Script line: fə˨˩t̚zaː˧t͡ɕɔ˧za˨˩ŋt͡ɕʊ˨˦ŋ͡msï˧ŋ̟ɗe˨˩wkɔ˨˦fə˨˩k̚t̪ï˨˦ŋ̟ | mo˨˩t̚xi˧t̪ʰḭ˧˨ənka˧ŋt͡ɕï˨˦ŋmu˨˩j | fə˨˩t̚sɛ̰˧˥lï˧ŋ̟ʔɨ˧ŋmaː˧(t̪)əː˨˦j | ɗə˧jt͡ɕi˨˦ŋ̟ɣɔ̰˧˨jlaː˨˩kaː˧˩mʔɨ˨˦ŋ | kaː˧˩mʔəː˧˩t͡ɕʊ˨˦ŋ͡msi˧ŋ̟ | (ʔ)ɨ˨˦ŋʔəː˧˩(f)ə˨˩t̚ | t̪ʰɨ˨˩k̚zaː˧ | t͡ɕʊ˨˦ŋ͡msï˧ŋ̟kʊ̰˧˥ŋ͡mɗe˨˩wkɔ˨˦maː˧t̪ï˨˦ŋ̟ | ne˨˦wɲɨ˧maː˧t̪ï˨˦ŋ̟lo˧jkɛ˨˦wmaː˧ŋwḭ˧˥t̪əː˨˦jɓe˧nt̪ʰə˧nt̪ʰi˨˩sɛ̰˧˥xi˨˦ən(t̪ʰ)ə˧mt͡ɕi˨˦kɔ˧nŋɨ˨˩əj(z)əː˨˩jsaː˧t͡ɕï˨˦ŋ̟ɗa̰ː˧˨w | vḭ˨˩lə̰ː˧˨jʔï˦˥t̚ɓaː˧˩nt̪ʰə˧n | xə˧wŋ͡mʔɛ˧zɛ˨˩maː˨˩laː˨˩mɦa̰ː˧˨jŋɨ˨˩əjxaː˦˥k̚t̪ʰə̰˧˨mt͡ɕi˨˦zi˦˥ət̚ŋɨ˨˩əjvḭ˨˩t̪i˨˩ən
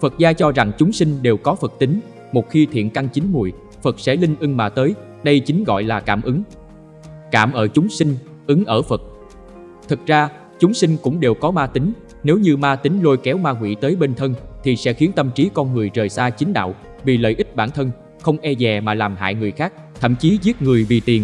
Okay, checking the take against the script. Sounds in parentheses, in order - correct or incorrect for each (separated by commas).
correct, correct, correct, incorrect, correct